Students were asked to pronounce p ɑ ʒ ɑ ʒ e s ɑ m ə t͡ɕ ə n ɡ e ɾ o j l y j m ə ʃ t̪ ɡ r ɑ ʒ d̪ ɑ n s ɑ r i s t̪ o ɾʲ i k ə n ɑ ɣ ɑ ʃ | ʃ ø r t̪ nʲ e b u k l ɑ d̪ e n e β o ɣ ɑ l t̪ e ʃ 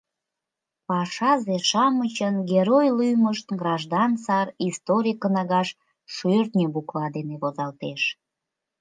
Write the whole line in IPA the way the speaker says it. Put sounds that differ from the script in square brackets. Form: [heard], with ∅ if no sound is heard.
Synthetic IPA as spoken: p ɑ [ʃ] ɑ [z] e [ʃ] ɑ m ə t͡ɕ ə n ɡ e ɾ o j l y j m ə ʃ t̪ ɡ r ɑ ʒ d̪ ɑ n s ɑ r i s t̪ o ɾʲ i k ə n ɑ ɣ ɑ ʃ | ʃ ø r t̪ nʲ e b u k l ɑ d̪ e n e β o [z] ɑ l t̪ e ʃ

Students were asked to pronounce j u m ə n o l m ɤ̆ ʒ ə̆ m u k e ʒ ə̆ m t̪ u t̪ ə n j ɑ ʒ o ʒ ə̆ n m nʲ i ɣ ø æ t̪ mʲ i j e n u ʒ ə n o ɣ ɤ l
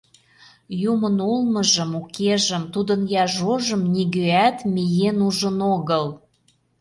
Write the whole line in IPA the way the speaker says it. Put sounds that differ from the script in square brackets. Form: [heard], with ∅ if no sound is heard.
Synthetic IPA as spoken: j u m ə n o l m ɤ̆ ʒ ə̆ m u k e ʒ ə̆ m t̪ u [d̪] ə n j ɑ ʒ o ʒ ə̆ [∅] m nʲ i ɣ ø æ t̪ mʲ i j e n u ʒ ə n o ɣ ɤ l

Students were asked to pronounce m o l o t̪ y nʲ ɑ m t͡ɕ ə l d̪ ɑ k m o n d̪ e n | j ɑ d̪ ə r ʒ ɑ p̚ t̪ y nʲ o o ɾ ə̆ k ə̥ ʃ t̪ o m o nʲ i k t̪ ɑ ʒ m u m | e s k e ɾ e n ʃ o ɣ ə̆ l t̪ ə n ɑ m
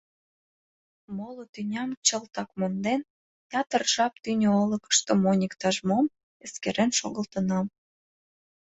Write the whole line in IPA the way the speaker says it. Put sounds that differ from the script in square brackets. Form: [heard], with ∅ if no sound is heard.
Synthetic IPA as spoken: m o l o t̪ y nʲ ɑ m t͡ɕ ə l [t̪] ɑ k m o n d̪ e n | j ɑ [t̪] ə r ʒ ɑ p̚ t̪ y nʲ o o [l] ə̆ k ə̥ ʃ t̪ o m o nʲ i k t̪ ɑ ʒ m [o] m | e s k e ɾ e n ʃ o ɣ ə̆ l t̪ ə n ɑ m

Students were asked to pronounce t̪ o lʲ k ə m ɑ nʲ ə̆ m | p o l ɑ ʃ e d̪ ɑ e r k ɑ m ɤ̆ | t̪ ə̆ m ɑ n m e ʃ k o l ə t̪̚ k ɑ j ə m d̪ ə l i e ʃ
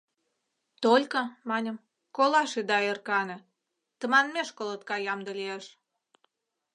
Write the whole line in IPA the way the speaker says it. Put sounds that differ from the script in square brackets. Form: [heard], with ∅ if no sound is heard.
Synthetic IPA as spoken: t̪ o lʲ k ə m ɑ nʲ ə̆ m | [k] o l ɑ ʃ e d̪ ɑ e r k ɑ [n] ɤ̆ | t̪ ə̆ m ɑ n m e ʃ k o l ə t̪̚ k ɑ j [ɑ] m d̪ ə l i e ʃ

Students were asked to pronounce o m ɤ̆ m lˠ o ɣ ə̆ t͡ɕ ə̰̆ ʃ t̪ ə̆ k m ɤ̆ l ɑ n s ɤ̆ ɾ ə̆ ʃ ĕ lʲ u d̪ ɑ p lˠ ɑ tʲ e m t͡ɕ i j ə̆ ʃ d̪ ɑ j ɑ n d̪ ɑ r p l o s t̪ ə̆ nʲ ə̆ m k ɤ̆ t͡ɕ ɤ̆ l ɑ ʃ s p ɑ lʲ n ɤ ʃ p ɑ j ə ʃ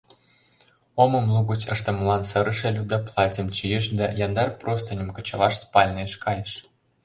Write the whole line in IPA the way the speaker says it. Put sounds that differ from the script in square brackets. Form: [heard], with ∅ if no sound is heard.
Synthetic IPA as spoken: o m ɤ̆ m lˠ [u] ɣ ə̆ t͡ɕ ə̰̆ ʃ t̪ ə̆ [∅] m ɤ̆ l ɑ n s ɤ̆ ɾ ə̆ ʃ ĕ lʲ u d̪ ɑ p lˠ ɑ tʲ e m t͡ɕ i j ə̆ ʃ d̪ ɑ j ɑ n d̪ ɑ r p [r] o s t̪ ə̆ nʲ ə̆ m k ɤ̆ t͡ɕ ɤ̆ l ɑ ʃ s p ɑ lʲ n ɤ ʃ [k] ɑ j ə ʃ

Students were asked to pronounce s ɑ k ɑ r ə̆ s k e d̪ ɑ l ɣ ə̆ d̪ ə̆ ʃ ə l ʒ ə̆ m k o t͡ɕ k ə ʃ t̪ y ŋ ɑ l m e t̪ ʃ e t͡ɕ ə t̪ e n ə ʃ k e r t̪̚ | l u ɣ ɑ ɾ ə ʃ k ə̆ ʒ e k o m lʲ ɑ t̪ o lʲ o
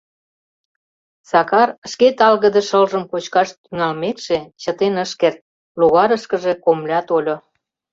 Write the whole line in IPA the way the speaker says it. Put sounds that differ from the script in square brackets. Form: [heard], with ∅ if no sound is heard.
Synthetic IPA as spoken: s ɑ k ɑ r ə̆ [ʃ] k e [t̪] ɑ l ɣ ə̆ d̪ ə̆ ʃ ə l ʒ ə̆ m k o t͡ɕ k [ɑ] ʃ t̪ y ŋ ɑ l m e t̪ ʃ e t͡ɕ ə t̪ e n ə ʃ k e r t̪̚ | l u ɣ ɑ ɾ ə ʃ k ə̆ ʒ e k o m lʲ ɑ t̪ o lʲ o

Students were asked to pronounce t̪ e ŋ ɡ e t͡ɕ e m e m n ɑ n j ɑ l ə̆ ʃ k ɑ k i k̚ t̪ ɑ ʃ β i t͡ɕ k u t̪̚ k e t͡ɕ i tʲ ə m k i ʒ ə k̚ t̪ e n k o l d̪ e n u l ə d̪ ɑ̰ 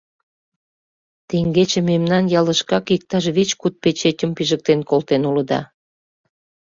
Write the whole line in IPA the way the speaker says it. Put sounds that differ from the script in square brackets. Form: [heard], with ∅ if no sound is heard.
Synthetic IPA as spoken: t̪ e ŋ ɡ e t͡ɕ e m e m n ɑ n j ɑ l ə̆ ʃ k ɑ k i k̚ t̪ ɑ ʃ β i t͡ɕ k u t̪̚ [p] e t͡ɕ [e] tʲ ə m [p] i ʒ ə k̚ t̪ e n k o l [t̪] e n u l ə d̪ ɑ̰

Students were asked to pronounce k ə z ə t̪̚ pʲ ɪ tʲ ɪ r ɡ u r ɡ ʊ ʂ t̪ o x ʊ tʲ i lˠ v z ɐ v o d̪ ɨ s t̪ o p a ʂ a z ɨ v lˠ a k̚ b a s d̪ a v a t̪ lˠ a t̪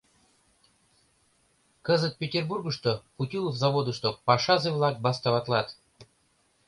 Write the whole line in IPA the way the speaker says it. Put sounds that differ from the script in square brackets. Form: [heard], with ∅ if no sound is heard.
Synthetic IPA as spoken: k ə z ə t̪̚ pʲ ɪ tʲ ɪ r [b] u r ɡ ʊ ʂ t̪ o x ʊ tʲ i lˠ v z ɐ v o d̪ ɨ [ʂ] t̪ o p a ʂ a z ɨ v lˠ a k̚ b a s [t̪] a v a t̪ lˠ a t̪

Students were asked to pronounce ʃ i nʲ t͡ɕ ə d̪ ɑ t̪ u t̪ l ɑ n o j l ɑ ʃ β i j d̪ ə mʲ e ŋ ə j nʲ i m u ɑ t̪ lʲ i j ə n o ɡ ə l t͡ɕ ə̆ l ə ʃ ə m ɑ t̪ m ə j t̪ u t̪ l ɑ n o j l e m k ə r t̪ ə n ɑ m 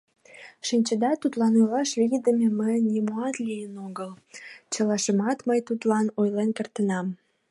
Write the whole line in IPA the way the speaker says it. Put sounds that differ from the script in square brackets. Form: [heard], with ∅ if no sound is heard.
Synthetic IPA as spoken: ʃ i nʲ t͡ɕ ə d̪ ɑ t̪ u t̪ l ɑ n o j l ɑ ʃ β i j d̪ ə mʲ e [m] ə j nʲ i m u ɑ t̪ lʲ i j ə n o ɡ ə l t͡ɕ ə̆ l [ɑ] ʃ ə m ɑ t̪ m ə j t̪ u t̪ l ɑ n o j l e [n] k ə r t̪ ə n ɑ m

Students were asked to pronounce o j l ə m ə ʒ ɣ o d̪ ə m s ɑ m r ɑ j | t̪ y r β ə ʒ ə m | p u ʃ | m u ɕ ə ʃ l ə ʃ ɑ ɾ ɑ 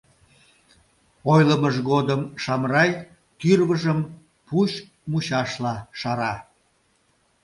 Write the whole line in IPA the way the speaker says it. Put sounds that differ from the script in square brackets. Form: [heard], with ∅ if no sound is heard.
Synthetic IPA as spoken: o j l ə m ə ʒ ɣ o d̪ ə m [ʃ] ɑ m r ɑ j | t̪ y r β ə ʒ ə m | p u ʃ | m u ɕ [ɑ] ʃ l [ɑ] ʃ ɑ ɾ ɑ

